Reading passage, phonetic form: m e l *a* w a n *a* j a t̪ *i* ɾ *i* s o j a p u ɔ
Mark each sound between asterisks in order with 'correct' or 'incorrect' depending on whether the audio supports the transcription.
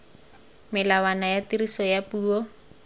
correct, correct, correct, correct

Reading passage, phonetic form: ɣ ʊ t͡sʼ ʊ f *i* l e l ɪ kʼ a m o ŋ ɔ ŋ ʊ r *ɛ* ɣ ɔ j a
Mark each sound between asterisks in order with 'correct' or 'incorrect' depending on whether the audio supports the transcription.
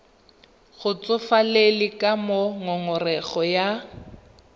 incorrect: a, correct

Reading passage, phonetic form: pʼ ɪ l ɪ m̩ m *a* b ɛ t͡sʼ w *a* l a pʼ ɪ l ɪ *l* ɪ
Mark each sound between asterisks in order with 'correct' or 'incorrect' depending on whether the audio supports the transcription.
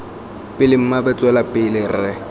correct, incorrect: ɛ, incorrect: r

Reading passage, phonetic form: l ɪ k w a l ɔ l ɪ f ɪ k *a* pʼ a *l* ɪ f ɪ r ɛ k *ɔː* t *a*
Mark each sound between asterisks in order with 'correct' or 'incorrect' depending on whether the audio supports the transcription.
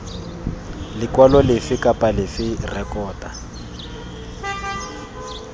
correct, correct, correct, correct

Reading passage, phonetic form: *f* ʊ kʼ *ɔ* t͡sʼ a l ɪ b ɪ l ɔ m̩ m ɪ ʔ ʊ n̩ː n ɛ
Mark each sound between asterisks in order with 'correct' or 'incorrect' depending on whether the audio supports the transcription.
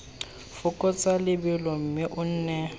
correct, correct

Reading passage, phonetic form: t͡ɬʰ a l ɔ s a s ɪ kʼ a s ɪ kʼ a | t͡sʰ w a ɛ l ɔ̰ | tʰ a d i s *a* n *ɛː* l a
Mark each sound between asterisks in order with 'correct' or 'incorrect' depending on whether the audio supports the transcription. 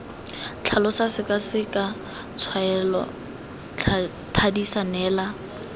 correct, correct

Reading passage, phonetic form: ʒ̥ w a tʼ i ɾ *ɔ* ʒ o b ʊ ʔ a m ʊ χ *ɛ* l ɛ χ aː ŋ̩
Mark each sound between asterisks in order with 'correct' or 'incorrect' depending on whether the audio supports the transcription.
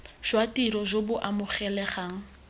correct, correct

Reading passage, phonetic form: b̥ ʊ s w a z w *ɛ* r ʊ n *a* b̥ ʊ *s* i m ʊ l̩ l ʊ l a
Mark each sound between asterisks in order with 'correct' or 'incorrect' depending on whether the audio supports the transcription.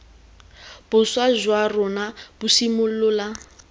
incorrect: a, correct, correct

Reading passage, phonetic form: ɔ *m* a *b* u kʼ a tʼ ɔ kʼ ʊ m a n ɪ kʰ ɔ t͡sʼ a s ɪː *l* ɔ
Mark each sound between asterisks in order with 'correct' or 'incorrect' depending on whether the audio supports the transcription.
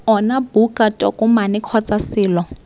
incorrect: n, correct, correct

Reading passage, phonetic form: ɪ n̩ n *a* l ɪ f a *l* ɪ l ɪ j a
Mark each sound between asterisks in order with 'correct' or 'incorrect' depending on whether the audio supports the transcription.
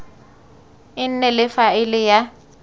incorrect: ɛ, incorrect: none

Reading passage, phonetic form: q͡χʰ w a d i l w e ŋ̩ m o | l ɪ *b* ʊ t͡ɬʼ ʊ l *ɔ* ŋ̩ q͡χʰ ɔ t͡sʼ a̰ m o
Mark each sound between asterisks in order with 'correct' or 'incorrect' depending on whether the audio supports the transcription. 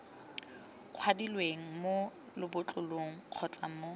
correct, incorrect: o

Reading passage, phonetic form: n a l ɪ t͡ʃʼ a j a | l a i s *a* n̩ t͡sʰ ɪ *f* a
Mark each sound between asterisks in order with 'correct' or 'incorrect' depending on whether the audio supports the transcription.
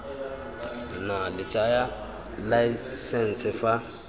incorrect: ɛ, correct

